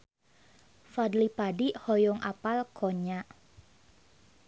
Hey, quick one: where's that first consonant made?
lips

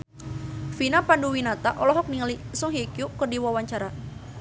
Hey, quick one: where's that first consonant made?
lips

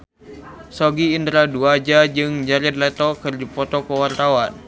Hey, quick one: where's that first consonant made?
tongue tip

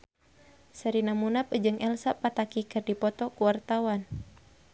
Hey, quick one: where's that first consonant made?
tongue tip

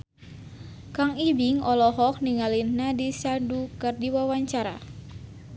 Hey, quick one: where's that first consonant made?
velum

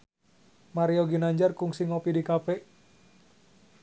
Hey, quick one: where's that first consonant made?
lips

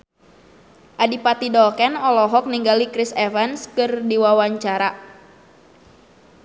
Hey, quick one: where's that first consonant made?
throat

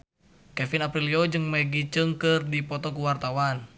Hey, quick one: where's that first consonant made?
velum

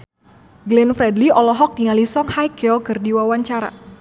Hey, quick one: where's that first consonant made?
velum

